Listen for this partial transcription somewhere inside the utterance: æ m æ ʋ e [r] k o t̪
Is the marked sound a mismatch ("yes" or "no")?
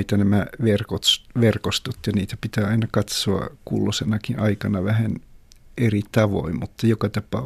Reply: no